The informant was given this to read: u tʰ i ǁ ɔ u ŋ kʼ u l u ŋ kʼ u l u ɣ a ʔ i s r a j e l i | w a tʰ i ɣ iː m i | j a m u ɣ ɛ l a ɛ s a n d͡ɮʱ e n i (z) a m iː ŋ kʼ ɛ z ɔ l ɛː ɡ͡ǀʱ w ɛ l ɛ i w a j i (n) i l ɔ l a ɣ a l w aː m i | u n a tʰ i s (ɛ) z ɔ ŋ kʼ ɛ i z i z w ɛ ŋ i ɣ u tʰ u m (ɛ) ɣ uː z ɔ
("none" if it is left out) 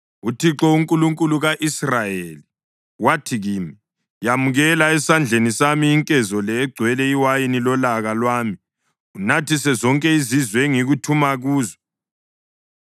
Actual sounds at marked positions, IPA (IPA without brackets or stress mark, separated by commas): s, n, ɛ, a